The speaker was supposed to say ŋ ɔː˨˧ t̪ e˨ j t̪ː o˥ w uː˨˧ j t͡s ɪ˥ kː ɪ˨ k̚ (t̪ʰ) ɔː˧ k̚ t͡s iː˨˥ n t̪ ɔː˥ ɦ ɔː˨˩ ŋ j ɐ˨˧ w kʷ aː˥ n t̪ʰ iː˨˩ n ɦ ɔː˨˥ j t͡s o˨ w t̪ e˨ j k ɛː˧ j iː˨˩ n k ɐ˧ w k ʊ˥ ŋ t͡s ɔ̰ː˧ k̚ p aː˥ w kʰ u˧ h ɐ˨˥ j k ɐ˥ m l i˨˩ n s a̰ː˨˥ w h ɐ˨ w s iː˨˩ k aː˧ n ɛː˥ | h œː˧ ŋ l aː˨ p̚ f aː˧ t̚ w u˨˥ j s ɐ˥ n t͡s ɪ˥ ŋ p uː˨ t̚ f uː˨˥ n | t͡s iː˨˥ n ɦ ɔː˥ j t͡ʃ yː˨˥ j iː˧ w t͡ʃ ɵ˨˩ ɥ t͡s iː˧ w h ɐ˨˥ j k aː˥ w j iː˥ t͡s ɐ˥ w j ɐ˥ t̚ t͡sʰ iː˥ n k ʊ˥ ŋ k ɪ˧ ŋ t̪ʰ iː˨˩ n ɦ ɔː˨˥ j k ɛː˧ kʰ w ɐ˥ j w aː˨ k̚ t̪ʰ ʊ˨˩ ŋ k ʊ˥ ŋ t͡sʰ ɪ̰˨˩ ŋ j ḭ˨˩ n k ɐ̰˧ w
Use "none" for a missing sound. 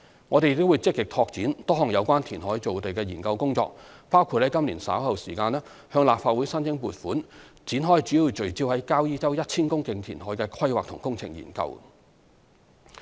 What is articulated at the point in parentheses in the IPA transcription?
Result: t̪ʰ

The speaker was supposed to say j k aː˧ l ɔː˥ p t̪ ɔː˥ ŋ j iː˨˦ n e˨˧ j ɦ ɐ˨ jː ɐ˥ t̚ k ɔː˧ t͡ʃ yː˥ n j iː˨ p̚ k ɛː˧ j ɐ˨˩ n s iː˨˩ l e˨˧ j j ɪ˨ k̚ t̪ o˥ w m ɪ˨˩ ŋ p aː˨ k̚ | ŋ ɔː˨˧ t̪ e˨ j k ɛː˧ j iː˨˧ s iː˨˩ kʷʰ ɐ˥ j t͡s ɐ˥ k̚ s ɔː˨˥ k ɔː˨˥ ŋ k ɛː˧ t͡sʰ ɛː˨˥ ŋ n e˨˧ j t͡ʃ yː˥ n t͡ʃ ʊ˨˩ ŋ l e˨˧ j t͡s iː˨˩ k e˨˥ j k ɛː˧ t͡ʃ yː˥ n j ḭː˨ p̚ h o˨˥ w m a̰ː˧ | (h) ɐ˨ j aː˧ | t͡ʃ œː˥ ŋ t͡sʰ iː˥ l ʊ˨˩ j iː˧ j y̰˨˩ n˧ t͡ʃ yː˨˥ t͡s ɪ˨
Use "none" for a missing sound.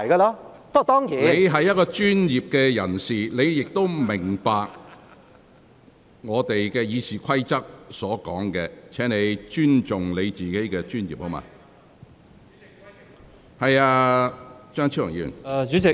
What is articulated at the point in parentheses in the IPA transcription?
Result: h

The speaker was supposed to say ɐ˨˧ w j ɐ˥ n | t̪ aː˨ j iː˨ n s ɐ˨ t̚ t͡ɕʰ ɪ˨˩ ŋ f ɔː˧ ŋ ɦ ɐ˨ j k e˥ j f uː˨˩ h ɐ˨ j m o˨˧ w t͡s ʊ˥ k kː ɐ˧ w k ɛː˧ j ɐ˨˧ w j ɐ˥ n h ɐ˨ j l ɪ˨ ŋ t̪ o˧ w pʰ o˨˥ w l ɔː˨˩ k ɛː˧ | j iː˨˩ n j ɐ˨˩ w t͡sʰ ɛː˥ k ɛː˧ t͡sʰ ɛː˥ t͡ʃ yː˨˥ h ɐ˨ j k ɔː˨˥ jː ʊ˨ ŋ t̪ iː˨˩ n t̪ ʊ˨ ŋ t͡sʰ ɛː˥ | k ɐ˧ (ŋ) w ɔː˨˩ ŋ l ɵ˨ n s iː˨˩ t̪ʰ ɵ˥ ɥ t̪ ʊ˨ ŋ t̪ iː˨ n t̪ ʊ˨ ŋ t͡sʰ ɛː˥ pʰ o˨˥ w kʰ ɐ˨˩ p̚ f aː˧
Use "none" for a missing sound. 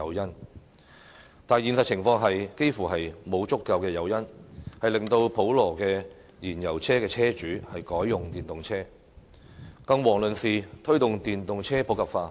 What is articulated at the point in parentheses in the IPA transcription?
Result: ŋ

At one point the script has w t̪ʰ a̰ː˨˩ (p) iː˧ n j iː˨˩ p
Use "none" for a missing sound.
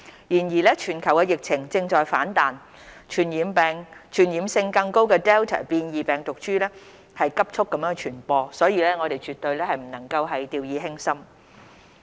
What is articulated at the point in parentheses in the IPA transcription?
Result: p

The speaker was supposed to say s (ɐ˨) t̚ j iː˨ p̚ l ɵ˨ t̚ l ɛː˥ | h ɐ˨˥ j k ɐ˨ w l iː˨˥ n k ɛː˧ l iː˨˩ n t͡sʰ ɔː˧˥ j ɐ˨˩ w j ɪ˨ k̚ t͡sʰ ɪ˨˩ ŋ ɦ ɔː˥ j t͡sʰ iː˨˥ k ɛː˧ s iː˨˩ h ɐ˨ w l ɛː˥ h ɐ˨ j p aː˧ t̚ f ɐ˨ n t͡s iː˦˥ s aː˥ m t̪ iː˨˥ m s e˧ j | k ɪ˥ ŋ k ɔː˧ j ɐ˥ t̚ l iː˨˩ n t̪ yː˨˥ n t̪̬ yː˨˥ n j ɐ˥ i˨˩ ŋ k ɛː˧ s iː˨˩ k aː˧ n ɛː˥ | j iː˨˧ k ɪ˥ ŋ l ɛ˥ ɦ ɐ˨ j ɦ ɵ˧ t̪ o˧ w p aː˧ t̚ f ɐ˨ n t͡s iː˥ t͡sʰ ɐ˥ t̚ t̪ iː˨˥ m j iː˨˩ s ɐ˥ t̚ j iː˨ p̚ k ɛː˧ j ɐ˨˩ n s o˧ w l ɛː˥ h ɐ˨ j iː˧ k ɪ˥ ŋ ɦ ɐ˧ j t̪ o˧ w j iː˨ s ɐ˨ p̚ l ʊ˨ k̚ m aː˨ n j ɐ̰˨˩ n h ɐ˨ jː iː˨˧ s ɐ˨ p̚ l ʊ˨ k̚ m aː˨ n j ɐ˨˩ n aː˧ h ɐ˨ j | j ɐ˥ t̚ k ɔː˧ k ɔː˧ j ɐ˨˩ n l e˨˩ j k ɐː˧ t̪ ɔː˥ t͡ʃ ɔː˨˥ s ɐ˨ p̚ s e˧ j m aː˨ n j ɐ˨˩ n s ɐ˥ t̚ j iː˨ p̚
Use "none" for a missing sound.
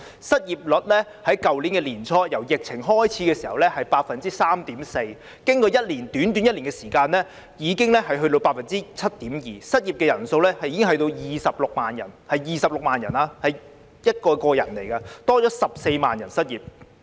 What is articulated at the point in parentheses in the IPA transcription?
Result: ɐ˥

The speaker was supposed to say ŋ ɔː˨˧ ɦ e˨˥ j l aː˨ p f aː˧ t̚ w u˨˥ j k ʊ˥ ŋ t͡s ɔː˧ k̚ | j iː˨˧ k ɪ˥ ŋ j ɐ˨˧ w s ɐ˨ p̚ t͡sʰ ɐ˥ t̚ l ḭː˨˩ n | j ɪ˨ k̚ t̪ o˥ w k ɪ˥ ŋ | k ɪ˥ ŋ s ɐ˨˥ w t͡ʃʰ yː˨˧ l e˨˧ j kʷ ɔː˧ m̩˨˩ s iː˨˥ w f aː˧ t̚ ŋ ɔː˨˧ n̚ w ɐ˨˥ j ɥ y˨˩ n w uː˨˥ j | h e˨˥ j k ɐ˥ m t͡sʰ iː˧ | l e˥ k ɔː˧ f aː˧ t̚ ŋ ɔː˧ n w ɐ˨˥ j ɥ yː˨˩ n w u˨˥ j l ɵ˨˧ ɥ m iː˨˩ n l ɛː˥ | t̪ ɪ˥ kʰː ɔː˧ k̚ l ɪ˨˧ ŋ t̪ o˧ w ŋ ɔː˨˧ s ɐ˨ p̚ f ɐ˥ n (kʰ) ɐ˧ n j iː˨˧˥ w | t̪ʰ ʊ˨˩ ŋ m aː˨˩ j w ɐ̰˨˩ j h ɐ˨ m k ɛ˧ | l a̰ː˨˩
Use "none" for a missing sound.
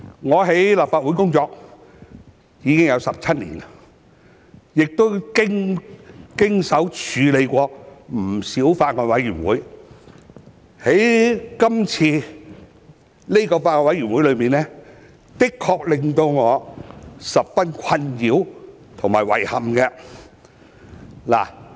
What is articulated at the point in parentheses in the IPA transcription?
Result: kʰ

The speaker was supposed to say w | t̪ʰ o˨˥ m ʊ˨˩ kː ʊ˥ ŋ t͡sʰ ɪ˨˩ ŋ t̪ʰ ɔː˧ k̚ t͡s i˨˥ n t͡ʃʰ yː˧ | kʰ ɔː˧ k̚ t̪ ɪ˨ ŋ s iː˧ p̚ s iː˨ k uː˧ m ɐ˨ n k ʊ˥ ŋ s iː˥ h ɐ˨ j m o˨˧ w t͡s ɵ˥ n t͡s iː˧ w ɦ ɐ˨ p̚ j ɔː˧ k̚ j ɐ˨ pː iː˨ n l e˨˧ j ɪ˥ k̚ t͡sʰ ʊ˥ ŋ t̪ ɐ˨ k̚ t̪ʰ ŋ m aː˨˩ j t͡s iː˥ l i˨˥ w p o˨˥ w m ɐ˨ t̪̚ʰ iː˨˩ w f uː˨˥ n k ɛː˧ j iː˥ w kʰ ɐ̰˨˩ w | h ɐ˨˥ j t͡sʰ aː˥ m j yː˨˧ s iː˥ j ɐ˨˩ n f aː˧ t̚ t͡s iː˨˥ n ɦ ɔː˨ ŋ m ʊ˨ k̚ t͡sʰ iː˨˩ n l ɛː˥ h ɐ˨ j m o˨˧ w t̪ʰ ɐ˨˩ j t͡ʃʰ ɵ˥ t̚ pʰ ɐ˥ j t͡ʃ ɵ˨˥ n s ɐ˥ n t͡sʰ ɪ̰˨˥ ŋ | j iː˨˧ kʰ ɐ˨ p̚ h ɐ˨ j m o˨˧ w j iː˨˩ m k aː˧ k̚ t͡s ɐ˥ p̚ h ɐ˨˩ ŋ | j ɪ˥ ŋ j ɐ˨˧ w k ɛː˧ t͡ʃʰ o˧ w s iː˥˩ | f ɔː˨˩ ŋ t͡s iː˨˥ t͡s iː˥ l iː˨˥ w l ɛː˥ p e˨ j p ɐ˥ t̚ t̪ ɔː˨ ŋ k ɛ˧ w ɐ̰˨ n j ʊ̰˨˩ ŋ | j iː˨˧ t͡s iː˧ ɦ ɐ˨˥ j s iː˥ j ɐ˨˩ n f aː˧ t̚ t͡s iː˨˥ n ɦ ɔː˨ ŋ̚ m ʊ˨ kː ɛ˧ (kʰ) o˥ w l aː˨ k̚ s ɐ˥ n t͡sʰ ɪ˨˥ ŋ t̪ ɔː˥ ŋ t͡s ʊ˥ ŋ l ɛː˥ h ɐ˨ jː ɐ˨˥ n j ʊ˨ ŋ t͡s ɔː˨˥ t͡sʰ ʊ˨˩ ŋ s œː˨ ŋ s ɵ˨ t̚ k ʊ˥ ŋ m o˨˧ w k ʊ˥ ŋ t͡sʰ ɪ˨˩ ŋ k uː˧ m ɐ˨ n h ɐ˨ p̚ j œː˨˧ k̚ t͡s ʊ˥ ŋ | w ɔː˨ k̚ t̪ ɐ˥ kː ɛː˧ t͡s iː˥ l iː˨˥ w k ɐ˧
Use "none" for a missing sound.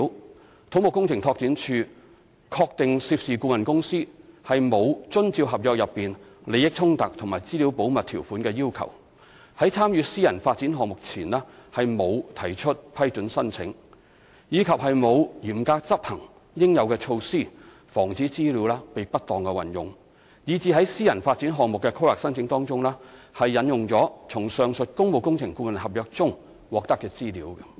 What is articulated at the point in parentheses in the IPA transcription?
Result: kʰ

